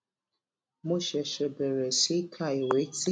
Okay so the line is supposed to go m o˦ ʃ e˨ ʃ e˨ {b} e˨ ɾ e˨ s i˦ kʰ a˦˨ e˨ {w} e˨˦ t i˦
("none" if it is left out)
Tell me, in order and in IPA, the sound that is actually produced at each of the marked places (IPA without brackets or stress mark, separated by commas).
b, w